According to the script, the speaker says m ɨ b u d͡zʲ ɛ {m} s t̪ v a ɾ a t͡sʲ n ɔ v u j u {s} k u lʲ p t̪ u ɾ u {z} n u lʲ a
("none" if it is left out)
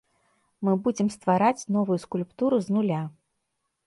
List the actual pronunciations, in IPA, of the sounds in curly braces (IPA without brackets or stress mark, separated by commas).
m, s, z